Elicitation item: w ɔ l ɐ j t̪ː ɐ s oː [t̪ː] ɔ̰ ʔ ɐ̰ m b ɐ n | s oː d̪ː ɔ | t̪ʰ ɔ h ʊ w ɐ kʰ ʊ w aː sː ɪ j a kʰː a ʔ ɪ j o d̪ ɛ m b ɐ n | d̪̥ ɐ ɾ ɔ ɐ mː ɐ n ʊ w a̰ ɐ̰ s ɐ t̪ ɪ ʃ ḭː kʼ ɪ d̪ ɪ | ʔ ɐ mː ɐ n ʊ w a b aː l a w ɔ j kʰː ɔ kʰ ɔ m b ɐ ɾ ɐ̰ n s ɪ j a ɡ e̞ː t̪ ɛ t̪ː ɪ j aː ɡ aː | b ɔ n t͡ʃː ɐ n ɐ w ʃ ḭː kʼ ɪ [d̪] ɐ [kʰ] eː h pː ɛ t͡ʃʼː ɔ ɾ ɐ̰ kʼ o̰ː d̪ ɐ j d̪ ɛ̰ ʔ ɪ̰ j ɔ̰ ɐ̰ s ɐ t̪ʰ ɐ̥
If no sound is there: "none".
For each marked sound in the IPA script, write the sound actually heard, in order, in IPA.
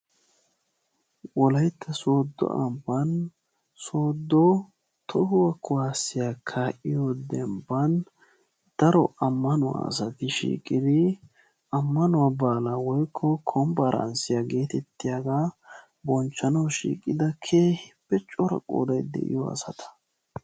d̪ː, d̪, kʰ

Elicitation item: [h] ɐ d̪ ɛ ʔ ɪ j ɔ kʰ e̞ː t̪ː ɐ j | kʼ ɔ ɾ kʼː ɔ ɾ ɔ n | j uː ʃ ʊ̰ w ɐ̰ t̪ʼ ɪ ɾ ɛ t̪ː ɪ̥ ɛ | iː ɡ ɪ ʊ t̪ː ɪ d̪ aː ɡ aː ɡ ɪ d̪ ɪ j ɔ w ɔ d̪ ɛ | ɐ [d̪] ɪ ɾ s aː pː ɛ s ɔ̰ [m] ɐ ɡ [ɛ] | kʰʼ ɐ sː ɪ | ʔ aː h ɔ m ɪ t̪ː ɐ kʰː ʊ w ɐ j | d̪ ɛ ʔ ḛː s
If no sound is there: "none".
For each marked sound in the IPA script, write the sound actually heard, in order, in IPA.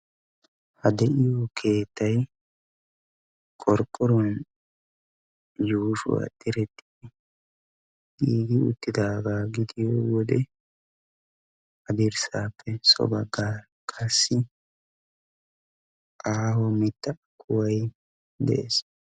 h, d̪, b, a

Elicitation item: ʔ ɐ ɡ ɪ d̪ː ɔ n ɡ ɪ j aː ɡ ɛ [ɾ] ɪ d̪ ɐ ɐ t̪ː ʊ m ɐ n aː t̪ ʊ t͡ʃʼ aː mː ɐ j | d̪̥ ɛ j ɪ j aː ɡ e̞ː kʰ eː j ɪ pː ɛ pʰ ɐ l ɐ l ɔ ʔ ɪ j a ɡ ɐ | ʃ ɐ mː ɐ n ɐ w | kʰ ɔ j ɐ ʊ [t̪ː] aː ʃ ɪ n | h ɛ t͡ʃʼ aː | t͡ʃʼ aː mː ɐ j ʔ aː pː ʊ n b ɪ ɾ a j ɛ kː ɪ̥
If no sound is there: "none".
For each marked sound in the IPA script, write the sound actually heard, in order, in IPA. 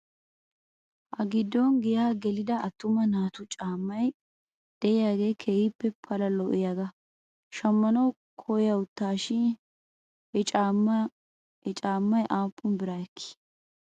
l, t̪ː

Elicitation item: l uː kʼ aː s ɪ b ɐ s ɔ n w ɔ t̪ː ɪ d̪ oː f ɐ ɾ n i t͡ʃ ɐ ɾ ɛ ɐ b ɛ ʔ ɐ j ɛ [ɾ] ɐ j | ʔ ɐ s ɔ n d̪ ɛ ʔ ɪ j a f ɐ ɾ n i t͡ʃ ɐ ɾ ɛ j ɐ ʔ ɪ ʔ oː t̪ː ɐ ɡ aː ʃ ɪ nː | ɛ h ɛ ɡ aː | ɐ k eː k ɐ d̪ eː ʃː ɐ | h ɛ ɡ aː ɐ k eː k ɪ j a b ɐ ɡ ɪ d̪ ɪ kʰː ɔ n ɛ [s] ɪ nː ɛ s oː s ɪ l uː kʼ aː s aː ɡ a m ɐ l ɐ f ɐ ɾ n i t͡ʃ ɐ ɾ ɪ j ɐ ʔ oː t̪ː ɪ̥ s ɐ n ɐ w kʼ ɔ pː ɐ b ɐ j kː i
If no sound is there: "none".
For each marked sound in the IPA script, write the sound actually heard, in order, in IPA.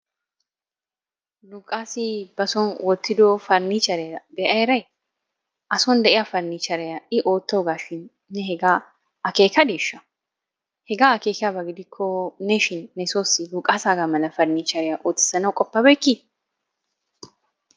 ɾ, ʃ

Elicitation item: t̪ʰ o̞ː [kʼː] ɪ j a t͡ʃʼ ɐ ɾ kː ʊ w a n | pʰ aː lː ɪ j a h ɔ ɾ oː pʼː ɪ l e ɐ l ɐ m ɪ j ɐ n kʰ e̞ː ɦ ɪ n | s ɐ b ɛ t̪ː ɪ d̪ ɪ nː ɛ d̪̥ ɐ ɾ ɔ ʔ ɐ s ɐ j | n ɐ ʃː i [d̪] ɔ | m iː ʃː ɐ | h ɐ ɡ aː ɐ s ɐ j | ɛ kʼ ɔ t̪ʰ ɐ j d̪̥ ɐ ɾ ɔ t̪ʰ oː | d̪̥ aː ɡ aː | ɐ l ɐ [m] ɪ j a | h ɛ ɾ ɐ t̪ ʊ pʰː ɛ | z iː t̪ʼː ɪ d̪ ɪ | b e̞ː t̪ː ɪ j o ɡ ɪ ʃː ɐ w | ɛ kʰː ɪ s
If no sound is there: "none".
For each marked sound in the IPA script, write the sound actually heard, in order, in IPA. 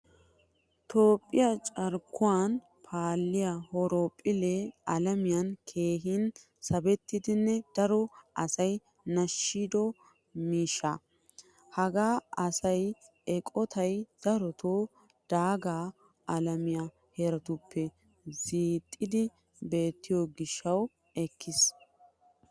pʼː, d̪, m

